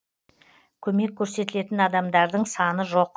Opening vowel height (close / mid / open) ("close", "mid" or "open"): mid